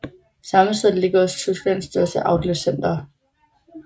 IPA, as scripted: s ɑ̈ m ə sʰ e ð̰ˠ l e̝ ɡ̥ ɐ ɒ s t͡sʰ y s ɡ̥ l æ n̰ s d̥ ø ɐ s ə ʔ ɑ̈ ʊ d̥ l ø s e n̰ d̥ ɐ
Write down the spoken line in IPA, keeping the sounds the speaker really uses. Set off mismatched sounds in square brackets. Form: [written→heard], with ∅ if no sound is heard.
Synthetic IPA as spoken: s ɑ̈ m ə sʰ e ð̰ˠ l e̝ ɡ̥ ɐ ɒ s t͡sʰ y s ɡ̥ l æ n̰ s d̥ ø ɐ s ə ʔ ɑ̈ ʊ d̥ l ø s e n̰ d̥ ɐ